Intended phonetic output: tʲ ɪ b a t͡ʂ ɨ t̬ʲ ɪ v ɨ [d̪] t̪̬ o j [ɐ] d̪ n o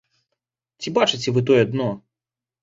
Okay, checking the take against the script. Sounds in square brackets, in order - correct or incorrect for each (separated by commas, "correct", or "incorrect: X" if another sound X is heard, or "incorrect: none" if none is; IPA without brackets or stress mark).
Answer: incorrect: none, correct